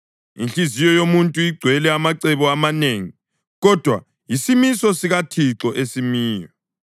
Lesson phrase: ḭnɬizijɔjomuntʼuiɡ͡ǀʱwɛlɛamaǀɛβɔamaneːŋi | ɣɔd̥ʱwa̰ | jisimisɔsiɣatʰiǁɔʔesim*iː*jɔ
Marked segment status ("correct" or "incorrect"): correct